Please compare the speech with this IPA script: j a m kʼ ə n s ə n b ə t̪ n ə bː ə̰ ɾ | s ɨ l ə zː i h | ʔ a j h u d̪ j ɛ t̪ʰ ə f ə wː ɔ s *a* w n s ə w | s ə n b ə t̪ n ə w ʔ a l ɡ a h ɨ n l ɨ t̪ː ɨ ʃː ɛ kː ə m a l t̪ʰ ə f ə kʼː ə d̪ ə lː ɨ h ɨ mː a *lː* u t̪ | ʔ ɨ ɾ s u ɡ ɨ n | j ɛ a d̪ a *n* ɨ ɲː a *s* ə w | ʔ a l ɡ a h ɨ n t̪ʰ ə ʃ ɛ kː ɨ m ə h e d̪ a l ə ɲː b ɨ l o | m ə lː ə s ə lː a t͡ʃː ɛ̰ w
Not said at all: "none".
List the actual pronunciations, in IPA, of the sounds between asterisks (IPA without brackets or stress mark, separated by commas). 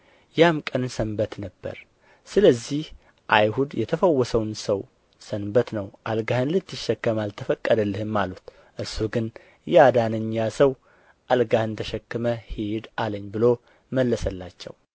ə, l, n, s